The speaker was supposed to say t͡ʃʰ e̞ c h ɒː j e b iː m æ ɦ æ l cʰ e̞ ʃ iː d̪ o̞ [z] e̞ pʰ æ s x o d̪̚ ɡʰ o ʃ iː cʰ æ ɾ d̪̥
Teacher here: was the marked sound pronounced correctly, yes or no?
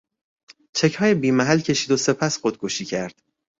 no